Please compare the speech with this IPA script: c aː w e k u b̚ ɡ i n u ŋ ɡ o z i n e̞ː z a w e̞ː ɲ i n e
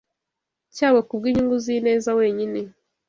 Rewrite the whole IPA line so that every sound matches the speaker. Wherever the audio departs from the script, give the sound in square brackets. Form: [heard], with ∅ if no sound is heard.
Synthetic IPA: c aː w e k u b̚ ɡ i [ɲ] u ŋ ɡ [u] z i n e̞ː z a w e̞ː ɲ i n e